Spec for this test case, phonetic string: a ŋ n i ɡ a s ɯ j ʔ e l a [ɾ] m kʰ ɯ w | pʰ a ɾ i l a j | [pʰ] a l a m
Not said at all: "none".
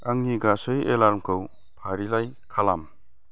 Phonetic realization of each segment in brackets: ɾ, kʰ

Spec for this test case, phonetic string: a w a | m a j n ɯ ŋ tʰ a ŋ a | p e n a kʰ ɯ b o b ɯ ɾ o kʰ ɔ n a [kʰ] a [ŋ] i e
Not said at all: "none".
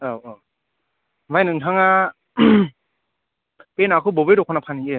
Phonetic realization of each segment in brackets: pʰ, n

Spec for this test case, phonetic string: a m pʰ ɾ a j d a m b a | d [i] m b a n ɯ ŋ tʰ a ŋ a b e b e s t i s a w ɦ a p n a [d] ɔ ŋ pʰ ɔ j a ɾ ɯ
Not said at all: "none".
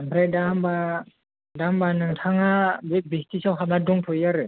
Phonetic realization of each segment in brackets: a, d

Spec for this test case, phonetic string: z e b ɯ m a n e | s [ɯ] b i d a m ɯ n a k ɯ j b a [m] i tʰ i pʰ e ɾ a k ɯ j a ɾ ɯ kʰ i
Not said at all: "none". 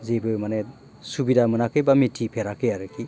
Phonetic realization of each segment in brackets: u, m

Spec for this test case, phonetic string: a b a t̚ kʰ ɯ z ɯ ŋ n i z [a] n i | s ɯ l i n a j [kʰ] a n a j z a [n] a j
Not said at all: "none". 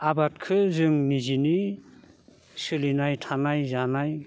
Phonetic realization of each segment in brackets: i, tʰ, n

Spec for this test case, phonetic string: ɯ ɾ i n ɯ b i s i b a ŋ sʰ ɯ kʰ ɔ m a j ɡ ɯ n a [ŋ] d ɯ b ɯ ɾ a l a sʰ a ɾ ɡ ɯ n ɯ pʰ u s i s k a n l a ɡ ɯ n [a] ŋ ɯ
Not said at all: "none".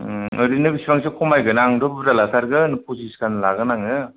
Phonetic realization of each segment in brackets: ŋ, a

